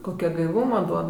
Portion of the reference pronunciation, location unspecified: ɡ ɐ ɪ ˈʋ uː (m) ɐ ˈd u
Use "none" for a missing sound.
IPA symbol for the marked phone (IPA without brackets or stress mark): m